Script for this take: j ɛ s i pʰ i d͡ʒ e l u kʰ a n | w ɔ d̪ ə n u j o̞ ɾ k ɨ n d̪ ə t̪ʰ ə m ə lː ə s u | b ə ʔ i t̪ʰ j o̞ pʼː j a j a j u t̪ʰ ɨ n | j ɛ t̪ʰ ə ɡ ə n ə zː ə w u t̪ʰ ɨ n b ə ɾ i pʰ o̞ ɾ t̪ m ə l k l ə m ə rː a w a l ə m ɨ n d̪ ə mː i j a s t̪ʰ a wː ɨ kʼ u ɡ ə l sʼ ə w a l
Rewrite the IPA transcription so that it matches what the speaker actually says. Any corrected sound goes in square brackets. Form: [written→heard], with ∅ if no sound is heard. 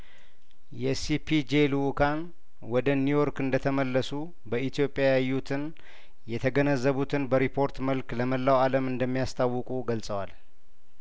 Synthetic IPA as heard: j ɛ s i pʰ i d͡ʒ e l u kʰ a n | w ɔ d̪ ə n u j o̞ ɾ k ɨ n d̪ ə t̪ʰ ə m ə lː ə s u | b ə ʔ i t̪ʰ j o̞ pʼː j a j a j u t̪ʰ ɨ n | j ɛ t̪ʰ ə ɡ ə n ə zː ə [w→β] u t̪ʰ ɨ n b ə ɾ i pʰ o̞ ɾ t̪ m ə l k l ə m ə [rː→lː] a w a l ə m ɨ n d̪ ə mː i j a s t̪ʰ a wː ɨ kʼ u ɡ ə l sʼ ə w a l